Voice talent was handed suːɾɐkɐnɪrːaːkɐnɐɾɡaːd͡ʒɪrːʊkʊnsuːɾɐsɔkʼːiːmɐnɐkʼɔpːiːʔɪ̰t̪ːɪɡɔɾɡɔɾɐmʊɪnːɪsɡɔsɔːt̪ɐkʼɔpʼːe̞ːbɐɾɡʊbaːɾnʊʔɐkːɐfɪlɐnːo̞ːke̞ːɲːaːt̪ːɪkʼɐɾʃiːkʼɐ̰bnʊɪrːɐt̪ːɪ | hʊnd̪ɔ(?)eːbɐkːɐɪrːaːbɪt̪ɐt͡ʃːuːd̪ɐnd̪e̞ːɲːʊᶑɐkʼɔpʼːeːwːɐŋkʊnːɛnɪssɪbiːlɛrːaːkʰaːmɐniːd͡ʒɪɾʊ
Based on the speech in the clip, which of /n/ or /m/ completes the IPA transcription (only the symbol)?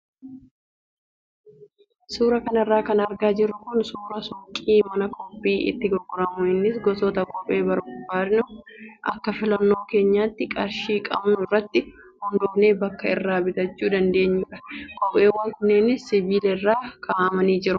n